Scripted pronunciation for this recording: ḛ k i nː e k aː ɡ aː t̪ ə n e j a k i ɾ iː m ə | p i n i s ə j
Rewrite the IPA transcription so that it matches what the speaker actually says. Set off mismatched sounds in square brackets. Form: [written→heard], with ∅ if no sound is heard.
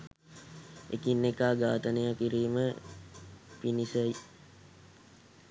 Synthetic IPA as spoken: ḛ k i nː e k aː ɡ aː t̪ ə n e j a k i ɾ iː m ə | p i n i s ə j